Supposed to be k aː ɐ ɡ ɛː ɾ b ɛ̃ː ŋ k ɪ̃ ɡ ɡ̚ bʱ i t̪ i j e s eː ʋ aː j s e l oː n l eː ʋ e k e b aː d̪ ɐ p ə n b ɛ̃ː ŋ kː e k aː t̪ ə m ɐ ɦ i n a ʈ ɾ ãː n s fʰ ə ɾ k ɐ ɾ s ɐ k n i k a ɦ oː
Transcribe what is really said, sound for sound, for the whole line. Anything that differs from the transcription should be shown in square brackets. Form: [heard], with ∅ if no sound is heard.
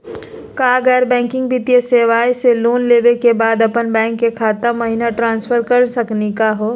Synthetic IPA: k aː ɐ ɡ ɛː ɾ b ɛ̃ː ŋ k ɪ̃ [ŋ] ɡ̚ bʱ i t̪ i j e s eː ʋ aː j s e l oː n l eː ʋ e k e b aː d̪ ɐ p ə n b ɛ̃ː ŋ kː e [kʰ] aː t̪ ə m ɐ ɦ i n a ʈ ɾ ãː n s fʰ ə ɾ k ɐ ɾ s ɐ k n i k a ɦ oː